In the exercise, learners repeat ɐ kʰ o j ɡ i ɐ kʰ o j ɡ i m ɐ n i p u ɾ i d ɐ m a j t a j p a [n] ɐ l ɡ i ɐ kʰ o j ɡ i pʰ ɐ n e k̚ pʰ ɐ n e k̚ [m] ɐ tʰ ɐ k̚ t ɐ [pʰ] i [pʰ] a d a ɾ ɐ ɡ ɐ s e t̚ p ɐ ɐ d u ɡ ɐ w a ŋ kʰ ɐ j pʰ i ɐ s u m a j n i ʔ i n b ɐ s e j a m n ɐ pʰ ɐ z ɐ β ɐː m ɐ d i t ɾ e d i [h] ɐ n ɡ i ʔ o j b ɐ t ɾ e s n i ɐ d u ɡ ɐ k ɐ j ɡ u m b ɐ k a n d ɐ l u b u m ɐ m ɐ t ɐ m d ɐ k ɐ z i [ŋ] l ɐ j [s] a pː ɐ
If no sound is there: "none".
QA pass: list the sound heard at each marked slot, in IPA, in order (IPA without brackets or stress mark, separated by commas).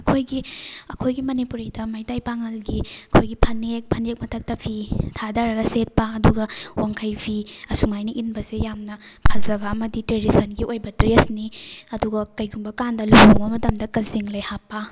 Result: ŋ, m, pʰ, tʰ, s, ŋ, h